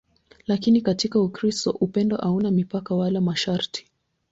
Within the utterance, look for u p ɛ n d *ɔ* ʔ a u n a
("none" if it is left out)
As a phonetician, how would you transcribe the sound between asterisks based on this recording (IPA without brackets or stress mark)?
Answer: ɔ